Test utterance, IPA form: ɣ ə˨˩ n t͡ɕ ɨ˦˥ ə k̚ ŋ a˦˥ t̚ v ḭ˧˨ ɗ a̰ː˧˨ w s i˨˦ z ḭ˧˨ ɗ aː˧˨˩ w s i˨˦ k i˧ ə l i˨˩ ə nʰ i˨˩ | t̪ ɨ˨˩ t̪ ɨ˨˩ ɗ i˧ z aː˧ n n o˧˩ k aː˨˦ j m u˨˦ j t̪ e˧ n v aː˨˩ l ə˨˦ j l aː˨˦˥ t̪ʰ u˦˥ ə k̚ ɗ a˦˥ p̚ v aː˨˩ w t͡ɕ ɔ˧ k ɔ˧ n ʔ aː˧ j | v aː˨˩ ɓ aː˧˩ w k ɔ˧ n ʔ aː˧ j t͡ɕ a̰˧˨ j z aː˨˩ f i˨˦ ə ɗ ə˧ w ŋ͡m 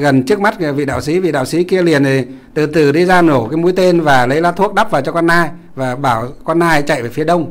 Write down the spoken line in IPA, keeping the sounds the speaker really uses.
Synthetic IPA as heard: ɣ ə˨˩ n t͡ɕ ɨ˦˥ ə k̚ m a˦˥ t̚ v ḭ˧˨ ɗ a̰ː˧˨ w s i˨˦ v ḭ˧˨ ɗ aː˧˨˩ w s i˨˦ k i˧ ə l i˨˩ ə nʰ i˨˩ | t̪ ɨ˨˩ t̪ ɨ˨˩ ɗ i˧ z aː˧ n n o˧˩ k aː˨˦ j m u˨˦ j t̪ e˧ n v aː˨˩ l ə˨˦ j l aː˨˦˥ t̪ʰ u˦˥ ə k̚ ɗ a˦˥ p̚ v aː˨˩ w t͡ɕ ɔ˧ k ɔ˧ n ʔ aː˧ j | v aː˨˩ ɓ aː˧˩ w k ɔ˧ n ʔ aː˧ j t͡ɕ a̰˧˨ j v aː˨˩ f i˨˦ ə ɗ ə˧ w ŋ͡m